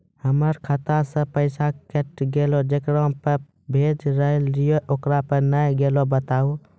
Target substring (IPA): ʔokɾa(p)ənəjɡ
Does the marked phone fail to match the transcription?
no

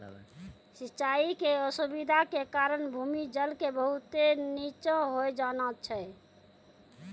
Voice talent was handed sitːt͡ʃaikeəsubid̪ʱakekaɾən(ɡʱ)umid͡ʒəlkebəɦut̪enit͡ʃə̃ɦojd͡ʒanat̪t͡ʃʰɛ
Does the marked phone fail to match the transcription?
yes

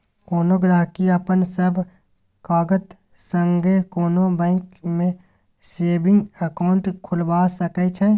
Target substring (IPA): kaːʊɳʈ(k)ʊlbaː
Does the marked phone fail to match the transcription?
yes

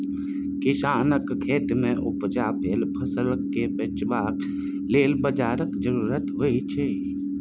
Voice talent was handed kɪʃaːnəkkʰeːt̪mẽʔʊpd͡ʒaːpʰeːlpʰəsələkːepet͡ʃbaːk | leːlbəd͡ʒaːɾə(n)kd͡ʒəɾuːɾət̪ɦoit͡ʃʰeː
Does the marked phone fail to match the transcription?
yes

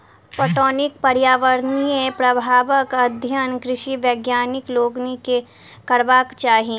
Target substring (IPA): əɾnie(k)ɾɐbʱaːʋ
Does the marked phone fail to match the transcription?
yes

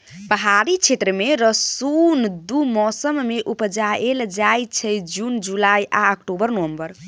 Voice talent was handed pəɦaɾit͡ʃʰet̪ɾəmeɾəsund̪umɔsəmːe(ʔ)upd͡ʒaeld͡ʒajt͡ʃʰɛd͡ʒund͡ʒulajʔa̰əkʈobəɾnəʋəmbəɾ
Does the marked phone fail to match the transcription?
no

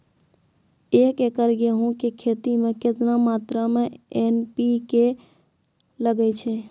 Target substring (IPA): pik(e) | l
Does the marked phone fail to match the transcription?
no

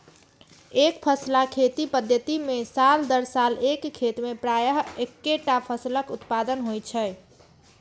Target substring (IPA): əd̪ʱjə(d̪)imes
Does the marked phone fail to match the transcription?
yes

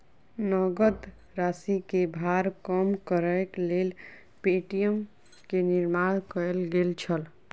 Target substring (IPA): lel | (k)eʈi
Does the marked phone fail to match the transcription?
yes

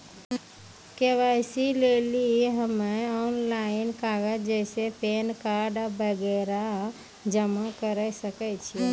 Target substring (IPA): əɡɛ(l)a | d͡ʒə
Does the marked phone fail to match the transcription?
yes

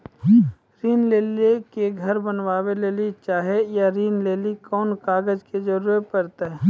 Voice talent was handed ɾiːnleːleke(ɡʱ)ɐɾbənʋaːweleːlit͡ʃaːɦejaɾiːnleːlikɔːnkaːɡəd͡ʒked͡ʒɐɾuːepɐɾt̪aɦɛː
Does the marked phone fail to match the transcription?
no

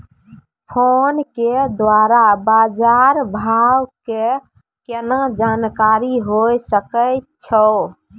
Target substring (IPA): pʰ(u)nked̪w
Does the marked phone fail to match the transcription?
yes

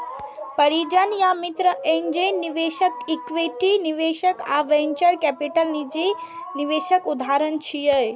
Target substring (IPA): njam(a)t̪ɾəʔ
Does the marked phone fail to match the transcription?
yes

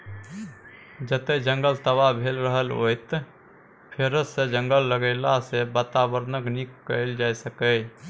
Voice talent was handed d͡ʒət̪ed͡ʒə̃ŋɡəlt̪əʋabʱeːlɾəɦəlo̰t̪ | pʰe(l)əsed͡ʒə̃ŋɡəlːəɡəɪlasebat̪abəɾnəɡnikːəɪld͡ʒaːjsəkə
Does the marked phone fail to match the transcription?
yes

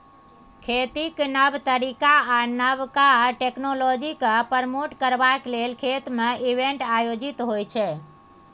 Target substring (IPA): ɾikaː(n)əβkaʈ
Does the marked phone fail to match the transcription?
no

